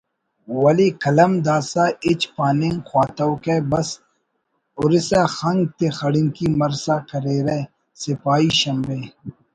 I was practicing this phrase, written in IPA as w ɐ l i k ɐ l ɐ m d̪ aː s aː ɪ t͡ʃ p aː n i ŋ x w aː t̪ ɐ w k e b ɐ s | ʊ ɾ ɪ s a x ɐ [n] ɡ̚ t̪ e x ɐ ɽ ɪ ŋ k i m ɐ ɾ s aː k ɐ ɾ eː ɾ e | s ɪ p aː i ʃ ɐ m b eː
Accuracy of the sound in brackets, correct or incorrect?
incorrect